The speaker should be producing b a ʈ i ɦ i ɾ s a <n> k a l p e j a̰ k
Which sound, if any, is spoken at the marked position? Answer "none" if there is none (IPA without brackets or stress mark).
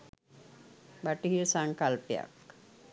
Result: ŋ